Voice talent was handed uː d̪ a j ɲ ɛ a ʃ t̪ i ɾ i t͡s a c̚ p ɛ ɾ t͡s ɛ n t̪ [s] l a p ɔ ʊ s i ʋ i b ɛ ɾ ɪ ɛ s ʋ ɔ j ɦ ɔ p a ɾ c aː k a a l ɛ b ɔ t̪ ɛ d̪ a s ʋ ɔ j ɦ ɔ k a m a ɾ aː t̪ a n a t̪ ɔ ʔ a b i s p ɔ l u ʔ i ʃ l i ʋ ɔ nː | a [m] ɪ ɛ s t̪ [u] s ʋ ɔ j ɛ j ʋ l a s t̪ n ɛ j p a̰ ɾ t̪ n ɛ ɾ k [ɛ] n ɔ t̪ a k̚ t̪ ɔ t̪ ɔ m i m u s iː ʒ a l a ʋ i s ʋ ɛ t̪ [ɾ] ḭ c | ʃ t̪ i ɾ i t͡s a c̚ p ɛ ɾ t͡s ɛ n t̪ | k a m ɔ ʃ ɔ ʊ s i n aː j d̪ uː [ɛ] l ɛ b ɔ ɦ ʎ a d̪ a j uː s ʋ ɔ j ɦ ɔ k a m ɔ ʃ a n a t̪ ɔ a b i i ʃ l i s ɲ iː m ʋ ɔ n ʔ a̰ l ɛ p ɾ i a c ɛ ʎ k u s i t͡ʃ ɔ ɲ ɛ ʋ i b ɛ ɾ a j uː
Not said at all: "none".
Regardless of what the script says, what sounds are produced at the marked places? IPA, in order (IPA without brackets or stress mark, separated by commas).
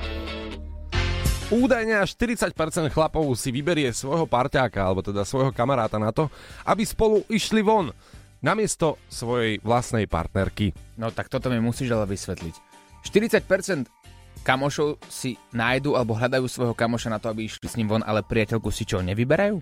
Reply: x, m, ɔ, i, l, a